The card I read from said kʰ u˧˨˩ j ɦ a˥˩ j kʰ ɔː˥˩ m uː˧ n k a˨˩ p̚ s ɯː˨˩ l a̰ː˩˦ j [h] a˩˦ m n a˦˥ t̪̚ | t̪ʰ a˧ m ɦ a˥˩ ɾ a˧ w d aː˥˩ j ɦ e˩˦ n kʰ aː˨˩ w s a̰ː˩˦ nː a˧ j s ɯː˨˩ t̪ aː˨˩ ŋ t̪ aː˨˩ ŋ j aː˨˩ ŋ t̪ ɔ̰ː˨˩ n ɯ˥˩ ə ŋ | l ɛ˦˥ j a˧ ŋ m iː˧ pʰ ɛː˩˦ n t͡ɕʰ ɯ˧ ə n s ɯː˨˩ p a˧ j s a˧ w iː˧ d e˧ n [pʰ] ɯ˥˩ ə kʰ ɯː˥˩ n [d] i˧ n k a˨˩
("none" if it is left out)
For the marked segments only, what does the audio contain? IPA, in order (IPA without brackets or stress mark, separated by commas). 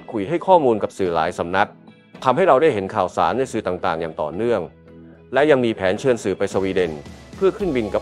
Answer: s, pʰ, b